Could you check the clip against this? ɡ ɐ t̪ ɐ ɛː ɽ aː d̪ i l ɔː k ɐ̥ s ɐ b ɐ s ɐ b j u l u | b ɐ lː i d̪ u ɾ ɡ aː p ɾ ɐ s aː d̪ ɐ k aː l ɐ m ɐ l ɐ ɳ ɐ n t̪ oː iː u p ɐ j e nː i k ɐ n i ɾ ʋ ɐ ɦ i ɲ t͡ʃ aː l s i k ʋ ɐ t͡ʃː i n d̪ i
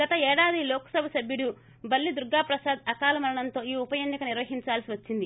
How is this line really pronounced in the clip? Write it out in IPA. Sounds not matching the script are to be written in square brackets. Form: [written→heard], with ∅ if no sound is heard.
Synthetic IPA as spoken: ɡ ɐ t̪ ɐ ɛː ɽ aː d̪ i l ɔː k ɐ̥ s ɐ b ɐ s ɐ b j u [l→ɽ] u | b ɐ lː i d̪ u ɾ ɡ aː p ɾ ɐ s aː d̪ ɐ k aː l ɐ m ɐ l ɐ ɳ ɐ n t̪ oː iː u p ɐ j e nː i k ɐ n i ɾ ʋ ɐ ɦ i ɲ t͡ʃ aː l s i [k→∅] ʋ ɐ t͡ʃː i n d̪ i